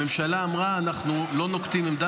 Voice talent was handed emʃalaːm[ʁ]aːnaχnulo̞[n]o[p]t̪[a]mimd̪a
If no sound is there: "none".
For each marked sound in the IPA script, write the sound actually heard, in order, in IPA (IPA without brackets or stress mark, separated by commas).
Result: ʁ, n, k, i